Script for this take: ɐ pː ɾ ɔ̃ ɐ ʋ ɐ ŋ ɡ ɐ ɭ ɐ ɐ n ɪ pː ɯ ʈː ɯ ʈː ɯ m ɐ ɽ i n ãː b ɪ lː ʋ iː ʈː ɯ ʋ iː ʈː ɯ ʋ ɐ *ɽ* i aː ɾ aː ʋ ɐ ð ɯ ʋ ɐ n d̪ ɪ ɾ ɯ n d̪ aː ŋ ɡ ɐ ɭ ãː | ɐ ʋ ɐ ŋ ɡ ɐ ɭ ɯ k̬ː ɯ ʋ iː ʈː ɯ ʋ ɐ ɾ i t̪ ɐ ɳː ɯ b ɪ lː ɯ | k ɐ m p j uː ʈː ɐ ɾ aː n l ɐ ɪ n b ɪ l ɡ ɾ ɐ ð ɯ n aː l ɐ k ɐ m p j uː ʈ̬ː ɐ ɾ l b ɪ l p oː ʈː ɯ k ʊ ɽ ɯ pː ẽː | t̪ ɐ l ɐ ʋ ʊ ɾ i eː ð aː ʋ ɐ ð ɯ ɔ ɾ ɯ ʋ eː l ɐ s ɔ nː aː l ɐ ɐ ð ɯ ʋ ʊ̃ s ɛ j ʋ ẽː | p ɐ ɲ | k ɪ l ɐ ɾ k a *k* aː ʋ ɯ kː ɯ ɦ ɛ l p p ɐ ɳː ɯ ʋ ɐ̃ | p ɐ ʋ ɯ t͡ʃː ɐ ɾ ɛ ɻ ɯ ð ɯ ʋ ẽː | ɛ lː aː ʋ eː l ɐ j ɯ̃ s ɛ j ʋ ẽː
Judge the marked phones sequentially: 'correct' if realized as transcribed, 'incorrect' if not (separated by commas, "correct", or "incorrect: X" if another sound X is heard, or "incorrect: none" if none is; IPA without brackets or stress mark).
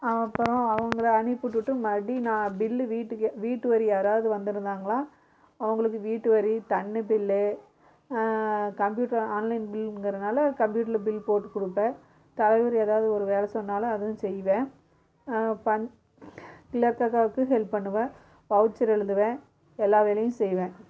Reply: incorrect: ɾ, correct